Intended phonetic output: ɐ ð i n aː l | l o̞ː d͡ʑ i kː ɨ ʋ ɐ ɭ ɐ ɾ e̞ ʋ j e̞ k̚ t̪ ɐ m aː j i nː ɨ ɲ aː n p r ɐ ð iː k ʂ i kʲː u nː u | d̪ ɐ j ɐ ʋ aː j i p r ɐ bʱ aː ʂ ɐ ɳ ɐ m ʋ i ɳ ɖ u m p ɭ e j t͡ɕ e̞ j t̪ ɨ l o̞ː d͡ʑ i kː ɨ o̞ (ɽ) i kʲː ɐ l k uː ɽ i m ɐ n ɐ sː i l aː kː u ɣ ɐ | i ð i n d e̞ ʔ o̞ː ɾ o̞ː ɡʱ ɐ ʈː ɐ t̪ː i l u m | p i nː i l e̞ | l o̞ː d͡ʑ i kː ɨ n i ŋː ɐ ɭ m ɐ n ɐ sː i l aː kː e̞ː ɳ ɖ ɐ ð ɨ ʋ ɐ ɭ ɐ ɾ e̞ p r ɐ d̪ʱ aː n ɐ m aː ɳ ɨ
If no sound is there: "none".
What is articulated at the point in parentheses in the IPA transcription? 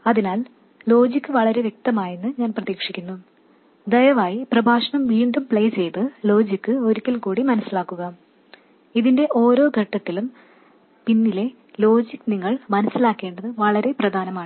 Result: ɾ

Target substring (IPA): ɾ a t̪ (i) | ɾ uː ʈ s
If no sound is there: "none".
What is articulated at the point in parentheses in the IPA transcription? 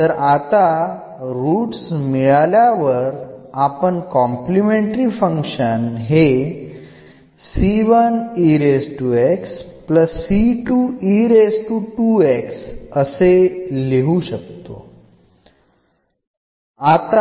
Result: a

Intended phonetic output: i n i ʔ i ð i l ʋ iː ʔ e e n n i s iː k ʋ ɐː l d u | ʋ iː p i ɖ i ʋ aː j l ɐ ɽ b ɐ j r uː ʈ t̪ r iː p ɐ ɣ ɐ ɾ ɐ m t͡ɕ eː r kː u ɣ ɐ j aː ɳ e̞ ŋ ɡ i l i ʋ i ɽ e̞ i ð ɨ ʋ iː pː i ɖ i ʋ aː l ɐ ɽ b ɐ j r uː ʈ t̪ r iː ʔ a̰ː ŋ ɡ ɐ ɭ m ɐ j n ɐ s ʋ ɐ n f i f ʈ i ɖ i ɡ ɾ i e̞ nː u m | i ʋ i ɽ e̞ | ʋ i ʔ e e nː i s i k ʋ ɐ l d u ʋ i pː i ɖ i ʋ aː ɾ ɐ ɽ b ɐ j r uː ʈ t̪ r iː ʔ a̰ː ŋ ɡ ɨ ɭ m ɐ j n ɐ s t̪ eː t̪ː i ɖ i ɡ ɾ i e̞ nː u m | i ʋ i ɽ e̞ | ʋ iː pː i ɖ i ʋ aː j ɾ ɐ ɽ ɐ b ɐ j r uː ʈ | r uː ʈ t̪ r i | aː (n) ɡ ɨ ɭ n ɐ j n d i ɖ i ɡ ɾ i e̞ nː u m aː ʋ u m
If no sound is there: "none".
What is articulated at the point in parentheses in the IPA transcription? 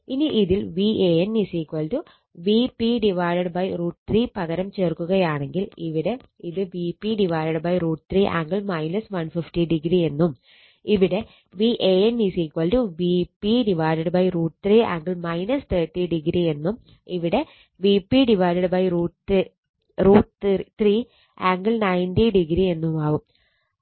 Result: ŋ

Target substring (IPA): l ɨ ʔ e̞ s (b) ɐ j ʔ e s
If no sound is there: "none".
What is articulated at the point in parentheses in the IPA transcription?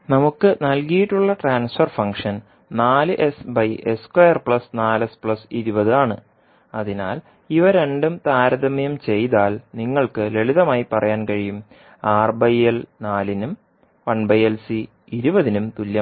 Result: b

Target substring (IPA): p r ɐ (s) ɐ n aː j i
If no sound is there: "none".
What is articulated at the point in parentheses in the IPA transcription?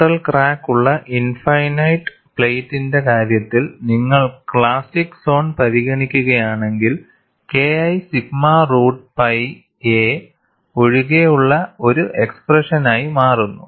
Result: ʂ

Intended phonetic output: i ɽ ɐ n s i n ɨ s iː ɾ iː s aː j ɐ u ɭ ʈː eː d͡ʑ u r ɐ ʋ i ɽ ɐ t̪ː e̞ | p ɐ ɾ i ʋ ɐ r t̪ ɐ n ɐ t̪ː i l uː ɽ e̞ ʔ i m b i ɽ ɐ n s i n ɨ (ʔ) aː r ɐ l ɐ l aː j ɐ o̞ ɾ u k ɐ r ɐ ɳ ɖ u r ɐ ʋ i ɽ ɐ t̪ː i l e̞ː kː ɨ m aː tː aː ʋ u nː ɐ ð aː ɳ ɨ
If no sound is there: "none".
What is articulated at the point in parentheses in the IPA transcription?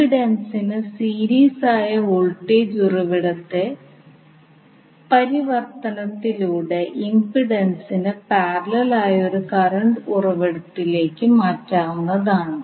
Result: p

